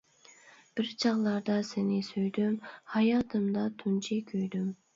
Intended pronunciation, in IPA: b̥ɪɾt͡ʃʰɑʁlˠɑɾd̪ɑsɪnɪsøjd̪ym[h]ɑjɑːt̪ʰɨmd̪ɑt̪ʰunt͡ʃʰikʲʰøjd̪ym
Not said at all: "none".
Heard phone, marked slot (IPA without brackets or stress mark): h